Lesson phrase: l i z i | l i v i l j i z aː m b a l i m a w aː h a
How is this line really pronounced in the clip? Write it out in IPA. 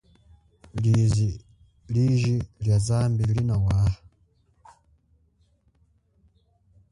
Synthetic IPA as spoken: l i z i | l i ʒ i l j a z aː m b i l i n a w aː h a